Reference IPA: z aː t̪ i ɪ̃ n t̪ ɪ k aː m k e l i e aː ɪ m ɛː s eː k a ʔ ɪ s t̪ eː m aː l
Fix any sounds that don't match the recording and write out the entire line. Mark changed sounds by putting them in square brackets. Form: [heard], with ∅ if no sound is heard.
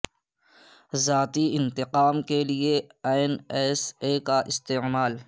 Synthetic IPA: z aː t̪ i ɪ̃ n t̪ ɪ [q] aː m k e l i e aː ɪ [n] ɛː s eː k a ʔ ɪ s t̪ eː m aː l